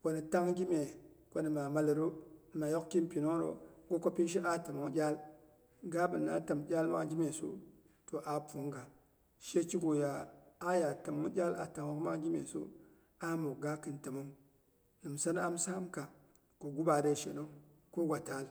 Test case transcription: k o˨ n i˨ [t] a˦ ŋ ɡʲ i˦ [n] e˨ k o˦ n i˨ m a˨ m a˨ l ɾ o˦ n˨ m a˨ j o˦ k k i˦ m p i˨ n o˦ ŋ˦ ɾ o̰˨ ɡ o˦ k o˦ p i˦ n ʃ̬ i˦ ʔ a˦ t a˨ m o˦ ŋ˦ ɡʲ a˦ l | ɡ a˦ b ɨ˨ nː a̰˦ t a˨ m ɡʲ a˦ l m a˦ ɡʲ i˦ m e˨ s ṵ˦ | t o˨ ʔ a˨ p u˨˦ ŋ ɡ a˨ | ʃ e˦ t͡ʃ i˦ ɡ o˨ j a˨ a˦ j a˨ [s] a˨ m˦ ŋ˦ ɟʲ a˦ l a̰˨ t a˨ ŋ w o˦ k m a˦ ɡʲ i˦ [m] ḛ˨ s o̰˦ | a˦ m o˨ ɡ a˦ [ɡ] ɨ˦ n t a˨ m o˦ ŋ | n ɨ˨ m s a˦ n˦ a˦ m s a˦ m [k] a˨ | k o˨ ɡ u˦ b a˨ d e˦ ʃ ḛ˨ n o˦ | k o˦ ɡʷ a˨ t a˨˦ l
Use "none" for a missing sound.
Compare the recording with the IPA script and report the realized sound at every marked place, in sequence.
t, m, t, m, k, k

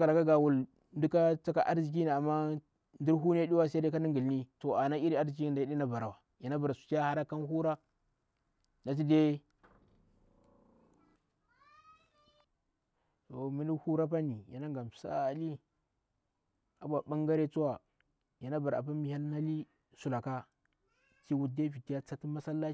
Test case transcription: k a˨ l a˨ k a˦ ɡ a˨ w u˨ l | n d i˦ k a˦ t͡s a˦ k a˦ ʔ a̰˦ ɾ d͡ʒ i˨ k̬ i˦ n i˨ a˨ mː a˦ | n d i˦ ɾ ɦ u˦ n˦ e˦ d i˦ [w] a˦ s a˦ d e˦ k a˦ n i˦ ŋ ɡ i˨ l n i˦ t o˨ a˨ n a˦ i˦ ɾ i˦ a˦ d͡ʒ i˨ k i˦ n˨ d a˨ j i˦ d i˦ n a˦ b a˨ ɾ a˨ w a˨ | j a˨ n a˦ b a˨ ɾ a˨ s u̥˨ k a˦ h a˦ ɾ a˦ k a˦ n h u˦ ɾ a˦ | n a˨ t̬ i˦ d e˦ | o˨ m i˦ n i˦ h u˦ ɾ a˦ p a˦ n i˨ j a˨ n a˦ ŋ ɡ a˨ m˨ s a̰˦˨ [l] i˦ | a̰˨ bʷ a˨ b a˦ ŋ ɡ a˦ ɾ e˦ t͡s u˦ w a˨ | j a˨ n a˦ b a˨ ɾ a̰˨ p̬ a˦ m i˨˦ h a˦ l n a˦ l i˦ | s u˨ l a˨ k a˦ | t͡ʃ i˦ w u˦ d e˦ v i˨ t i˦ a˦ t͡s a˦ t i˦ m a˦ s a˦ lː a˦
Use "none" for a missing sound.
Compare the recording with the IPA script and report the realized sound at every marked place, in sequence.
w, l

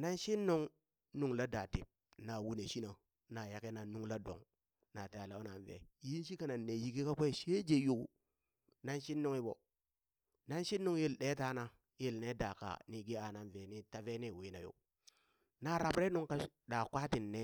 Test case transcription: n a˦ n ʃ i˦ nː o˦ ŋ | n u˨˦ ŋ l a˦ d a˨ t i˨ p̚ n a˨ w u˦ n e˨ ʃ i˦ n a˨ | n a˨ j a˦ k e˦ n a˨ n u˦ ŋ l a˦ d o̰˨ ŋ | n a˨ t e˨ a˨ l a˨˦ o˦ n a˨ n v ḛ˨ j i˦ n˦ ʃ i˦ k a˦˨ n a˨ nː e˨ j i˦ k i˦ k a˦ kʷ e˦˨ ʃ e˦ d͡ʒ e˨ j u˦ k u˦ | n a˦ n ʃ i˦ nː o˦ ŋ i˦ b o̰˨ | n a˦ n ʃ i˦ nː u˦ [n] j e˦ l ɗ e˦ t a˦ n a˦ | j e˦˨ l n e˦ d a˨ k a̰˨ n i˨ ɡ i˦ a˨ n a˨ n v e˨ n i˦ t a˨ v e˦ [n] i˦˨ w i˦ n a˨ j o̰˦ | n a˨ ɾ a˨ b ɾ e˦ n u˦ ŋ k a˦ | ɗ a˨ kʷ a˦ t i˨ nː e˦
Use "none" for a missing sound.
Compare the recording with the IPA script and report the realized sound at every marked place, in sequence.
ŋ, n

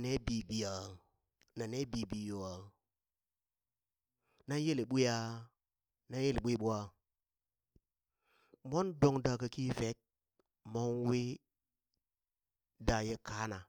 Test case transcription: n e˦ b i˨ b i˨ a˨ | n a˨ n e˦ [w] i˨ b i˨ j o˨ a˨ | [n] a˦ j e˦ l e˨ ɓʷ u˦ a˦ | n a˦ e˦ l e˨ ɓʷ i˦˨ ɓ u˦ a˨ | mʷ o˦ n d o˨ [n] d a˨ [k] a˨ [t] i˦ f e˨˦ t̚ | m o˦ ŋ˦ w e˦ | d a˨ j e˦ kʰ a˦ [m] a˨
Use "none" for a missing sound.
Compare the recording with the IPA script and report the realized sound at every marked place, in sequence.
b, n, ŋ, k, k, n

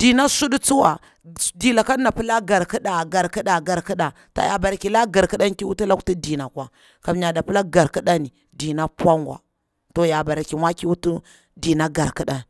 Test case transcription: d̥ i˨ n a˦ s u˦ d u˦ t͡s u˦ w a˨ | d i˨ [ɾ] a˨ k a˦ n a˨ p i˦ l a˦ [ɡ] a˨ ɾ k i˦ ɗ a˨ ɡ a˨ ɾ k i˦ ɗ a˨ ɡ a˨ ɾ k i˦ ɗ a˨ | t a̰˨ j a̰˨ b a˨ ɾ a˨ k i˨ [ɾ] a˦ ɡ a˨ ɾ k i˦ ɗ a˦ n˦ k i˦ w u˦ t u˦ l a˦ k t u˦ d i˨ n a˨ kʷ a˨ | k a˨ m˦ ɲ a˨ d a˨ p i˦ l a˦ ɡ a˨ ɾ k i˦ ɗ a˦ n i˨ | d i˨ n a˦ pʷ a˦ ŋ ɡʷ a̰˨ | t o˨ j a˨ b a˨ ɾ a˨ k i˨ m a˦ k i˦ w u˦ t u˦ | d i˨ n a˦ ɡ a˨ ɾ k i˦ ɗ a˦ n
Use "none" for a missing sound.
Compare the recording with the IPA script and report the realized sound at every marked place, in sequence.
l, ɡ, l

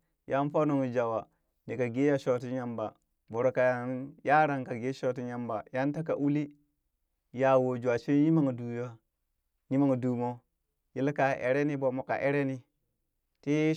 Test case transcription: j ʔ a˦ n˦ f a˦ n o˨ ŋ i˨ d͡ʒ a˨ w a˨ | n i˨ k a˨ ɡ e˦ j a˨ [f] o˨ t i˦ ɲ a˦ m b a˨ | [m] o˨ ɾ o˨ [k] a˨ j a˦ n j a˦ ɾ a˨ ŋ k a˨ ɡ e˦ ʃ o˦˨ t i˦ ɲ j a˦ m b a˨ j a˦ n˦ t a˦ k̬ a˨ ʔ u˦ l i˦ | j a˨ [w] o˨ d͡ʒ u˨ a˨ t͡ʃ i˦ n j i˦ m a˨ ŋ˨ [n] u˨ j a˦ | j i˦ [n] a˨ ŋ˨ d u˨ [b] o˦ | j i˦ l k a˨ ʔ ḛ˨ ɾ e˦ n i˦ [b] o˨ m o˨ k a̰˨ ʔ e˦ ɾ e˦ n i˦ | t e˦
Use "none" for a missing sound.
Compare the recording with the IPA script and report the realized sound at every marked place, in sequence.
ʃ, b, k, w, d, m, m, b

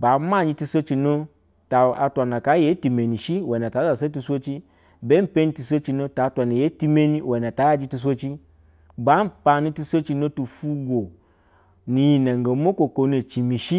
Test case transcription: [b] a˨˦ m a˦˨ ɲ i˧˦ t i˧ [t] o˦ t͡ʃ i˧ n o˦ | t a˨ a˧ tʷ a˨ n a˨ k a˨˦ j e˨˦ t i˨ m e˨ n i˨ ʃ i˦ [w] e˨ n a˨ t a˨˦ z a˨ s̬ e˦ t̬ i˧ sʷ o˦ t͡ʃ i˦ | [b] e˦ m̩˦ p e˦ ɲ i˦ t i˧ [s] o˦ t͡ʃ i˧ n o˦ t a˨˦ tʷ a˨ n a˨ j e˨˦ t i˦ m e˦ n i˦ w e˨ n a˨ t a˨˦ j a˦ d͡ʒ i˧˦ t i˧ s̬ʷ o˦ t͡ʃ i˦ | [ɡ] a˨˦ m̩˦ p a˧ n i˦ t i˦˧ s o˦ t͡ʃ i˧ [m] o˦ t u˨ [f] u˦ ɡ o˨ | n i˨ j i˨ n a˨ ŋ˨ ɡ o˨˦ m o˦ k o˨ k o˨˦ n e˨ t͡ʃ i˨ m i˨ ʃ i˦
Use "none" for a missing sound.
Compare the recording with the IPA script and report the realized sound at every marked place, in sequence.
b, s, w, b, s, b, n, f

